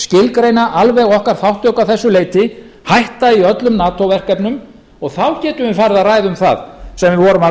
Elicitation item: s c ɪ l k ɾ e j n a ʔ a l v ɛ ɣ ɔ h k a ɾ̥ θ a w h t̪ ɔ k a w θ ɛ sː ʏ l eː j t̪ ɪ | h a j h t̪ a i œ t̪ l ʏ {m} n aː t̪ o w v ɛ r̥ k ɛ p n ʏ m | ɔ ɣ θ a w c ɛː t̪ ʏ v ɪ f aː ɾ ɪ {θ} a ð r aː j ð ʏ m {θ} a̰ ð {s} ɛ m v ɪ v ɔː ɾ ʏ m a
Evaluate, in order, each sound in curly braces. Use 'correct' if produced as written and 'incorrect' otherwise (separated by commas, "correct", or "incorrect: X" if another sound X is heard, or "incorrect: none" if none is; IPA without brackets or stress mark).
correct, incorrect: ð, correct, correct